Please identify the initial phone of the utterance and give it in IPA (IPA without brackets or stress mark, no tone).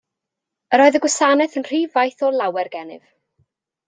ə